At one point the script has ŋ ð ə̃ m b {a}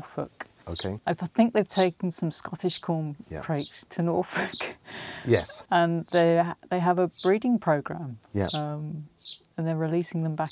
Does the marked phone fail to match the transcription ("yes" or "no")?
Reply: no